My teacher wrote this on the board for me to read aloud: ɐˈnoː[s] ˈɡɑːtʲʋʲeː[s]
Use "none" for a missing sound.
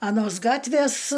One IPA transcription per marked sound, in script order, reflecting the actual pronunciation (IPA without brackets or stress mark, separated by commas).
s, s